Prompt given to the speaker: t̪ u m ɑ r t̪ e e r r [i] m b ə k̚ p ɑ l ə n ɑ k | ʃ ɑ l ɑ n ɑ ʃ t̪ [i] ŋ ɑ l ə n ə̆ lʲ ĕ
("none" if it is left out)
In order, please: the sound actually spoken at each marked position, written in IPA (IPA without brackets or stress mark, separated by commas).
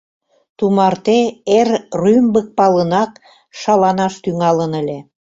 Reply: y, y